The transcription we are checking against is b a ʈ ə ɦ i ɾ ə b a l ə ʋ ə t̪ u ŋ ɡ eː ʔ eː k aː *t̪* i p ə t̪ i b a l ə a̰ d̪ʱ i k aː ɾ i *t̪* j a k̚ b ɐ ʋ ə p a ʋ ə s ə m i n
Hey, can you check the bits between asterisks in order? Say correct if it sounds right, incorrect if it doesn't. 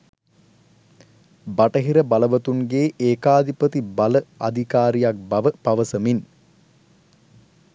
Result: incorrect: d̪, incorrect: none

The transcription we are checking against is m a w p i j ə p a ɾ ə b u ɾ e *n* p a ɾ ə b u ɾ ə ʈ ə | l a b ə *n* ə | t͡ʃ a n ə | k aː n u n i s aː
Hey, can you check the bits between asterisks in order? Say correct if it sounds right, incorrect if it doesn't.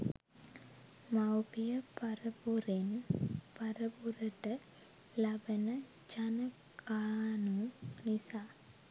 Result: correct, correct

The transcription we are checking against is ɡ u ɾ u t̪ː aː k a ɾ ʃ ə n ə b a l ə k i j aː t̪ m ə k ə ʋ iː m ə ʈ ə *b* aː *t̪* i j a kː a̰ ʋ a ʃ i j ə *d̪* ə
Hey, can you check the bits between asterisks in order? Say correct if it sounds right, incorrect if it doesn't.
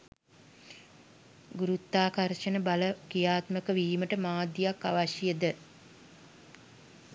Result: incorrect: m, incorrect: d̪, correct

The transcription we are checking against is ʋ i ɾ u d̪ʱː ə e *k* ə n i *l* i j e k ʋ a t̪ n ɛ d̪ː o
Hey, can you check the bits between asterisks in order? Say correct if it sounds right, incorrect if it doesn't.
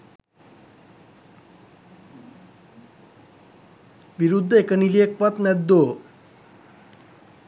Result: correct, correct

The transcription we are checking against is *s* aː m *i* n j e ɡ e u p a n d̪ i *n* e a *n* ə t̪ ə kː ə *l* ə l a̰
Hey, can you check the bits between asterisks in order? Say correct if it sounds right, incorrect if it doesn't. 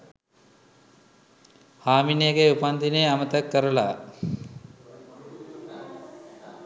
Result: incorrect: h, correct, correct, incorrect: m, incorrect: ɾ

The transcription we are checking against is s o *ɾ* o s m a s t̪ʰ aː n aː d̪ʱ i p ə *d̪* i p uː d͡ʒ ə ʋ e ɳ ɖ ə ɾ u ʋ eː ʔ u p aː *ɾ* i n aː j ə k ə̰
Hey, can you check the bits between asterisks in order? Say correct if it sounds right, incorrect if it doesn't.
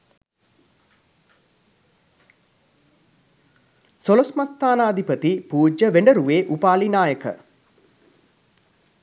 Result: incorrect: l, incorrect: t̪, incorrect: l

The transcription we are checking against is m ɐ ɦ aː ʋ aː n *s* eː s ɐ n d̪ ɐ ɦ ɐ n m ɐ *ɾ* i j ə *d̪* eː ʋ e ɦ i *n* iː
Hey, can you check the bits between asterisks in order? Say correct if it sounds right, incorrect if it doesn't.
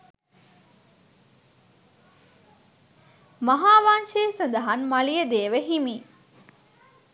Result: incorrect: ʃ, incorrect: l, correct, incorrect: m

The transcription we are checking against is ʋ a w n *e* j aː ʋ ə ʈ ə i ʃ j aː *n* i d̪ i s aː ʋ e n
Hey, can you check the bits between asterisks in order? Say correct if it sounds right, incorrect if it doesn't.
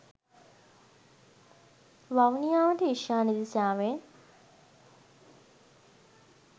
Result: incorrect: i, correct

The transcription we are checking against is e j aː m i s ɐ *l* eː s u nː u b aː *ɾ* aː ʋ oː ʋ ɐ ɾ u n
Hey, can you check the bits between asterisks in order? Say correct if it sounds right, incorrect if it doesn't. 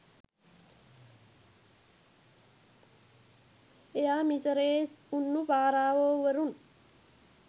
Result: incorrect: ɾ, correct

